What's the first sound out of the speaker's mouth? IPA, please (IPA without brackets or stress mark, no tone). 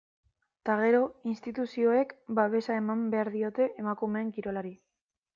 t̪